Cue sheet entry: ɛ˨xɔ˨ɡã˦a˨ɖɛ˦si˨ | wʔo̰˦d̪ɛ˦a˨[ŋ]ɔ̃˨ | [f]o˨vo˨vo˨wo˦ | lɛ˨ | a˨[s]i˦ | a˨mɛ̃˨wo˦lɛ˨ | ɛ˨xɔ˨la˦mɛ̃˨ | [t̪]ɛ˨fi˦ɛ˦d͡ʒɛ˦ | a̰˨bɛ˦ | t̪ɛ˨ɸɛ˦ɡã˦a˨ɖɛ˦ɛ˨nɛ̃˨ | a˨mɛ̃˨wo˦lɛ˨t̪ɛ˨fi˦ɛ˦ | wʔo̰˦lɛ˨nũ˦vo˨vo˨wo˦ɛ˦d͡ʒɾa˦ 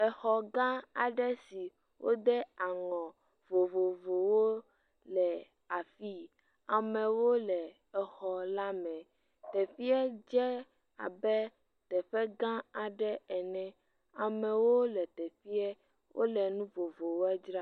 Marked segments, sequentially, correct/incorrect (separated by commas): correct, incorrect, incorrect, correct